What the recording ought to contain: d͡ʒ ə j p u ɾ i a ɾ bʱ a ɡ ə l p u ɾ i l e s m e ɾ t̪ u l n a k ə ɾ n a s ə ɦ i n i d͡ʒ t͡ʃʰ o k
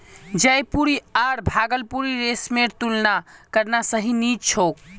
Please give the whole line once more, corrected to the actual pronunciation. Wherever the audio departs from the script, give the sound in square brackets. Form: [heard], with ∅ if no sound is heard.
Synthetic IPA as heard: d͡ʒ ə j p u ɾ i a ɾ bʱ a ɡ ə l p u ɾ i [ɾ] e s m e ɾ t̪ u l n a k ə ɾ n a s ə ɦ i n i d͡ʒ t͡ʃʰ o k